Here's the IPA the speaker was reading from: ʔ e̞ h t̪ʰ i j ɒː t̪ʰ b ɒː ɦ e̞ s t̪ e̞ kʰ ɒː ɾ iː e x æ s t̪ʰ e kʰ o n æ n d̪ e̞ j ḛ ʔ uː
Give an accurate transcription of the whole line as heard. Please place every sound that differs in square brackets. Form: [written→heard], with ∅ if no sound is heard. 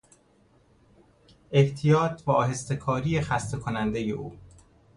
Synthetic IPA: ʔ e̞ h t̪ʰ i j ɒː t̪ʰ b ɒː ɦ e̞ s t̪ e̞ kʰ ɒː ɾ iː e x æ s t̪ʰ e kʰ o n æ n d̪ e̞ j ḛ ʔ uː